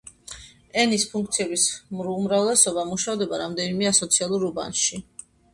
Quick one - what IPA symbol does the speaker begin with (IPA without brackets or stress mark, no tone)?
ɛ